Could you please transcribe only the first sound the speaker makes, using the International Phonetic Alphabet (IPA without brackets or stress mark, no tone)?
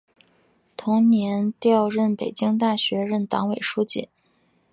t̪ʰ